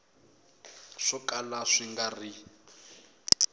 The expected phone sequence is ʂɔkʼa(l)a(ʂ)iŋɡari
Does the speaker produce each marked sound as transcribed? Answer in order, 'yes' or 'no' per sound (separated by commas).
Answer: yes, yes